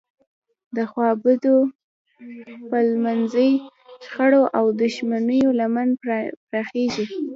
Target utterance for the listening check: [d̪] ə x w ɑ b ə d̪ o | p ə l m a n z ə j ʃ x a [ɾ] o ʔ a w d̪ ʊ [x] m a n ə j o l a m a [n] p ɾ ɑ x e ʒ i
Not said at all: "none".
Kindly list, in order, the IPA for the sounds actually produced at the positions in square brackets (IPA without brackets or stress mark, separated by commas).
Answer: d̪, ɽ, ʃ, n